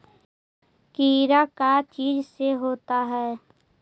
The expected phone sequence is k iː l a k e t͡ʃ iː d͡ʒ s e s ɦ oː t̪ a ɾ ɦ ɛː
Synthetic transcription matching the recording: k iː ɾ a k a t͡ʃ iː d͡ʒ s e ɦ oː t̪ a ɦ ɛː